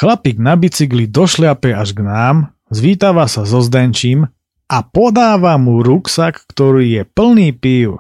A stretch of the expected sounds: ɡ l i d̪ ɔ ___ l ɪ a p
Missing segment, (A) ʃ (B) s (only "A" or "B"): A